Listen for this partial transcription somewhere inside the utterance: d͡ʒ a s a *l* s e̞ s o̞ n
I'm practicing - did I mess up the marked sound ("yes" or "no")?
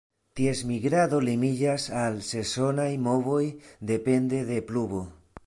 no